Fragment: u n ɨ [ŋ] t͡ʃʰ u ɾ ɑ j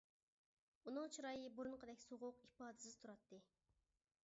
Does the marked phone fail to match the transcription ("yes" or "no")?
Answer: no